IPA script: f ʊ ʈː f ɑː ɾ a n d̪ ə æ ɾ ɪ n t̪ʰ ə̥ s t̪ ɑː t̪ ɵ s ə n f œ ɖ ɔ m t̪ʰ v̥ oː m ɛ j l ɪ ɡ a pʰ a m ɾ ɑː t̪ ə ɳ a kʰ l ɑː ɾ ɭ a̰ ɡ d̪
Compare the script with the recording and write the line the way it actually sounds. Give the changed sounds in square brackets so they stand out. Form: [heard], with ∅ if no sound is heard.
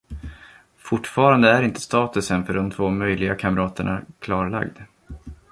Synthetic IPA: f ʊ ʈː f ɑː ɾ a n d̪ ə æ ɾ ɪ n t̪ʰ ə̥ s t̪ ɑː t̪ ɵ s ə n f œ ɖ ɔ m t̪ʰ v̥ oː m [œ] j l ɪ ɡ a [kʰ] a m ɾ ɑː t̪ ə ɳ a kʰ l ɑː ɾ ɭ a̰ ɡ d̪